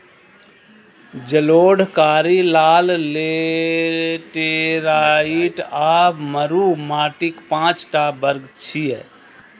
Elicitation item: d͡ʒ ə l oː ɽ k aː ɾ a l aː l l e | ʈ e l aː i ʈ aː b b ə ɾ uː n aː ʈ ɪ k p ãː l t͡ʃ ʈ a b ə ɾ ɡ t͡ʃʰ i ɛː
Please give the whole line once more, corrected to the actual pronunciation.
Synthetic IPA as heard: d͡ʒ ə l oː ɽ k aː ɾ i l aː l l e | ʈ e ɾ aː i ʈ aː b m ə ɾ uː m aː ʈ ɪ k p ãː t͡ʃ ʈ a b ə ɾ ɡ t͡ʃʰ i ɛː